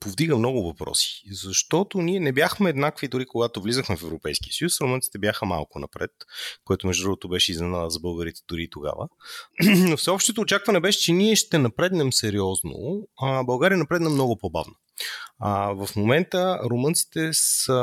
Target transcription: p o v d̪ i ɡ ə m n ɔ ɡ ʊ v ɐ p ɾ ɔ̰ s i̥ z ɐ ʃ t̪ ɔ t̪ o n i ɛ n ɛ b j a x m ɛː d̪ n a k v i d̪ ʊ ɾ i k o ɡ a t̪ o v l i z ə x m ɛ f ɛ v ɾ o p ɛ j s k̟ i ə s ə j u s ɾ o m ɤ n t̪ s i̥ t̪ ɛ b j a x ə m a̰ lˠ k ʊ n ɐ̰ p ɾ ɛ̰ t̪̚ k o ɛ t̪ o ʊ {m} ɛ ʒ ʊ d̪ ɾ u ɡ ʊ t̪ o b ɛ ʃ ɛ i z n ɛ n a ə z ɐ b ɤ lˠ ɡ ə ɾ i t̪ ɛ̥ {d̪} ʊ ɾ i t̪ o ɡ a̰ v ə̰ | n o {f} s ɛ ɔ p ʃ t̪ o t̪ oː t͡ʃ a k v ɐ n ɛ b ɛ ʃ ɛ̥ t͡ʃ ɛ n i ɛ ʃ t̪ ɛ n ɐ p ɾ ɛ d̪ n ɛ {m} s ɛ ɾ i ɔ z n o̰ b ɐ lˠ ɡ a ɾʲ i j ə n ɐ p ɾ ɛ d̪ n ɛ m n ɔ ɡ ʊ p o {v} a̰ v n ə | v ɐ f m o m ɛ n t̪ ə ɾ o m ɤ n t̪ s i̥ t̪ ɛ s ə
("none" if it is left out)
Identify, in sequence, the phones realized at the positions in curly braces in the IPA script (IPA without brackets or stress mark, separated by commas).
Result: m, d̪, f, m, b